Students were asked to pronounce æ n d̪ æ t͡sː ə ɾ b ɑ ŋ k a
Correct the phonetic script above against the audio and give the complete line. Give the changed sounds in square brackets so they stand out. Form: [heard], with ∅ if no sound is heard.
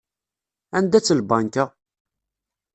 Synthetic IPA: æ n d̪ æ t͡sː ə [l] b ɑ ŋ k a